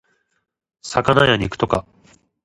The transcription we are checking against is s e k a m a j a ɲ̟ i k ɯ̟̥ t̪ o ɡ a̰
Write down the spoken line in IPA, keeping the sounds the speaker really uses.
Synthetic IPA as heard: s a k a n a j a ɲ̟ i k ɯ̟̥ t̪ o k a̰